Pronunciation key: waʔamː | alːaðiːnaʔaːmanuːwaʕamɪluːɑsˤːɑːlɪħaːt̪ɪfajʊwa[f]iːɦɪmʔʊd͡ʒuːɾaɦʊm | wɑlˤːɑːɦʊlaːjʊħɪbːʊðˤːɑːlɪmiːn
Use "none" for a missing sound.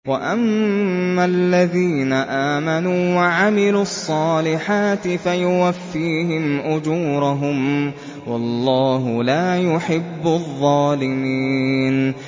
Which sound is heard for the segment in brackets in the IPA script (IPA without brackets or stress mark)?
fː